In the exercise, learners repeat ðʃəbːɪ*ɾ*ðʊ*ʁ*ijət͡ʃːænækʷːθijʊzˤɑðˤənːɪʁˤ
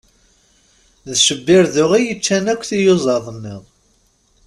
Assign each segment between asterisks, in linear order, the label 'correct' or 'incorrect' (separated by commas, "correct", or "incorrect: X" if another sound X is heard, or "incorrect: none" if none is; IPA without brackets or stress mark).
correct, correct